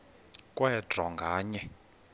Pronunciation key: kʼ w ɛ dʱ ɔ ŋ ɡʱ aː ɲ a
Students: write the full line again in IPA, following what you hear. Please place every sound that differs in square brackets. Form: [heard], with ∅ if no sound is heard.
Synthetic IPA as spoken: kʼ w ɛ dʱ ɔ ŋ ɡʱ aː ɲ [ɛ]